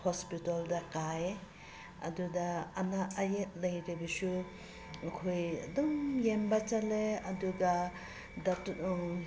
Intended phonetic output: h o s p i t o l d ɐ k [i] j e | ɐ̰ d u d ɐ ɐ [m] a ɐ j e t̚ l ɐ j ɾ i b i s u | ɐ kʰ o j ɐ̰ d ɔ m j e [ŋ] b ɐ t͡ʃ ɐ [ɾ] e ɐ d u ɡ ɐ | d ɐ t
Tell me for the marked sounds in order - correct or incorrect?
incorrect: a, incorrect: n, incorrect: m, incorrect: l

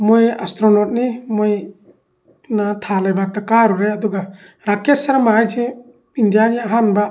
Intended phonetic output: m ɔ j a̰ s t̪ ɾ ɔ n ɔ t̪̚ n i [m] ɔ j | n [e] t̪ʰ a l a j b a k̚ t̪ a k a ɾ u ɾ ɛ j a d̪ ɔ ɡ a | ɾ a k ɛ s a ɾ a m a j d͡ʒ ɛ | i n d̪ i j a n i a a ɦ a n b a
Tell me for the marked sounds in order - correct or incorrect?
correct, incorrect: a

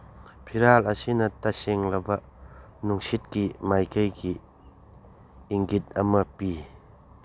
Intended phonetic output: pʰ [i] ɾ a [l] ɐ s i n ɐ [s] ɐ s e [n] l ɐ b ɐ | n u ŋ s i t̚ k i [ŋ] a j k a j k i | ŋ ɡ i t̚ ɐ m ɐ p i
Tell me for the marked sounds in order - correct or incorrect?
correct, correct, incorrect: t, incorrect: ŋ, incorrect: m

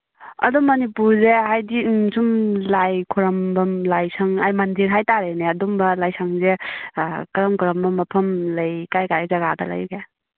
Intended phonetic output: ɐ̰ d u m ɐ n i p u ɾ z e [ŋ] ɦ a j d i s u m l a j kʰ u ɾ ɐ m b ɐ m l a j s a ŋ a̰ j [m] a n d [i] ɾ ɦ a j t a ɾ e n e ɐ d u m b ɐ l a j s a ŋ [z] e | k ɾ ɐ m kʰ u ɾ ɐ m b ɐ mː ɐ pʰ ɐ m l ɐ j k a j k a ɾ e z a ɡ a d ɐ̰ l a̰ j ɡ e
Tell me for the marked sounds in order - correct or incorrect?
incorrect: none, correct, correct, correct

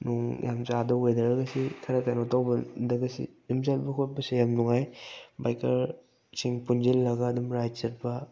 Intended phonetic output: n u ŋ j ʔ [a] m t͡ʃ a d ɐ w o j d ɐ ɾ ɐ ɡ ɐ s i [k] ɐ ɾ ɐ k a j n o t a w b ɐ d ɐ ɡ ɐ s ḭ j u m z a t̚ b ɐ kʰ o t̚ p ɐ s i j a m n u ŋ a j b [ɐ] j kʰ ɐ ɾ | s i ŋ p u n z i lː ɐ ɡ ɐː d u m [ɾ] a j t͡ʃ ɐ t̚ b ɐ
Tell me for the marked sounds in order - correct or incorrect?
correct, incorrect: kʰ, incorrect: a, correct

